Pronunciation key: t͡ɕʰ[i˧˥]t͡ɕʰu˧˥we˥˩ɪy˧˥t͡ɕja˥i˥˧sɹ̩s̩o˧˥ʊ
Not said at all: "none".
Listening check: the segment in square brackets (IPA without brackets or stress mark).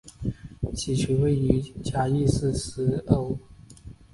i˨˩